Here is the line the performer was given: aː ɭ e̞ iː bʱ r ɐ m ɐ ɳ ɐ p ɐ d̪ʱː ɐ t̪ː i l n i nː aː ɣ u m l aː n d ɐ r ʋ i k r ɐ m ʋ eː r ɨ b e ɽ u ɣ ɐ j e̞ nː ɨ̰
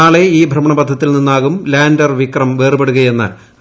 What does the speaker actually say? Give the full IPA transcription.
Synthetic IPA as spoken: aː ɭ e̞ iː bʱ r ɐ m ɐ ɳ ɐ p ɐ d̪ʱː ɐ t̪ː i l n i nː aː ɣ u m l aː n d ɐ r ʋ i k r ɐ m ʋ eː r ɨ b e ɽ u ɣ ɐ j e̞ nː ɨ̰